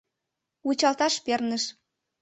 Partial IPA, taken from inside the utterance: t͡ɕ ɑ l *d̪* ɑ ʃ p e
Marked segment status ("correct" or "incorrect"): incorrect